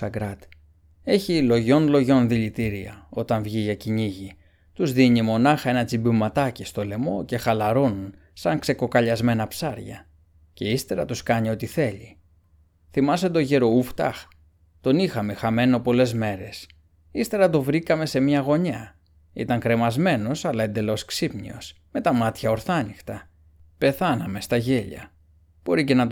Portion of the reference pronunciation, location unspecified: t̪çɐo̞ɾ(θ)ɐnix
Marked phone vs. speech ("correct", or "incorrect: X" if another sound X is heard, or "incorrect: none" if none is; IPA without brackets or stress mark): correct